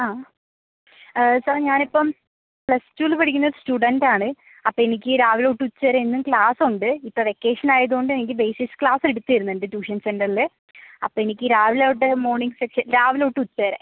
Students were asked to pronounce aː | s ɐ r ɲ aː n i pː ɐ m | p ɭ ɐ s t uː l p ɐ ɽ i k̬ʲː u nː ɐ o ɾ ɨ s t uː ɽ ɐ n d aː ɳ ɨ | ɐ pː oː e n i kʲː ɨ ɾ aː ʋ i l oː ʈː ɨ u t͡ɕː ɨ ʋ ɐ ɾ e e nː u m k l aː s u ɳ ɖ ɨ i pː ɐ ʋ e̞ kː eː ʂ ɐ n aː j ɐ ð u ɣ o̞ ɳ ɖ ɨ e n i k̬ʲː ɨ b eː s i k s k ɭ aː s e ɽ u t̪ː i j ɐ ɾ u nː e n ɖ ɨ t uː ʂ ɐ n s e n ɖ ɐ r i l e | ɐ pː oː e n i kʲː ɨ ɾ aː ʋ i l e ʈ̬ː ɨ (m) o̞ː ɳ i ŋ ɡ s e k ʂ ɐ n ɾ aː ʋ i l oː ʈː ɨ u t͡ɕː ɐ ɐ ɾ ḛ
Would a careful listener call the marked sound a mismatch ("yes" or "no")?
no